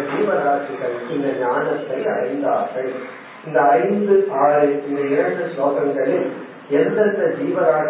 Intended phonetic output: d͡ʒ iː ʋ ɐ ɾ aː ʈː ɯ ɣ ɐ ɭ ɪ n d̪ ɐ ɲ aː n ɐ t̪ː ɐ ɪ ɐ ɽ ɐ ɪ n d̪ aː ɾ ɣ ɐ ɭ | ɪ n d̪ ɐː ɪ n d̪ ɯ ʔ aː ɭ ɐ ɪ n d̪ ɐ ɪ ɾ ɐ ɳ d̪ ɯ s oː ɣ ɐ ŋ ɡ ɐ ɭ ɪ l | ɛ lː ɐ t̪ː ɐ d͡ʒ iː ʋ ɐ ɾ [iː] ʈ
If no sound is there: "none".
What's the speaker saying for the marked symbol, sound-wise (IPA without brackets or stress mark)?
aː